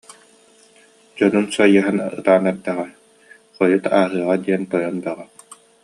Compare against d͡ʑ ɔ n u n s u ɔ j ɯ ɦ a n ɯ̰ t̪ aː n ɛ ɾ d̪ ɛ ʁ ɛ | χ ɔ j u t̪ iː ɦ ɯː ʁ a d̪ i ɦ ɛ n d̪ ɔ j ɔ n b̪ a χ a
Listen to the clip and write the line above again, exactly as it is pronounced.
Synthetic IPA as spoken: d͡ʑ ɔ n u n s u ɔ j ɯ ɦ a n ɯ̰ t̪ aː n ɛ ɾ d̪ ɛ ʁ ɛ | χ ɔ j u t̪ aː ɦ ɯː ʁ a d̪ i ɛ n t̪ ɔ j ɔ n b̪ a ʁ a